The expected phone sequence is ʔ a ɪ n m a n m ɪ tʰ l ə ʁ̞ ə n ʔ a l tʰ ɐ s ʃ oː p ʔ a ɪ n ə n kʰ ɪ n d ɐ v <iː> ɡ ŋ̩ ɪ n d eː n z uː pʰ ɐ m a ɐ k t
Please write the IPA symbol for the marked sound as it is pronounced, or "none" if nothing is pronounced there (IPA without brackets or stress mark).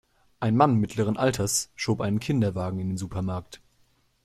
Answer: aː